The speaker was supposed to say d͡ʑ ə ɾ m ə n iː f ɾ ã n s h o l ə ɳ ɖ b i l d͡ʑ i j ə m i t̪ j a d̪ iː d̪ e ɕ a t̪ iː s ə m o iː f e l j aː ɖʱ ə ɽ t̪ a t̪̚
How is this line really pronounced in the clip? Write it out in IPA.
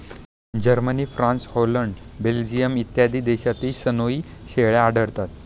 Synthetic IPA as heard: d͡ʑ ə ɾ m ə n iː f ɾ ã n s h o l ə ɳ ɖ b e l d͡ʑ i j ə m i t̪ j a d̪ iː d̪ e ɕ a t̪ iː s ə n o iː ɕ e ɭ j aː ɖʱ ə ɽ t̪ a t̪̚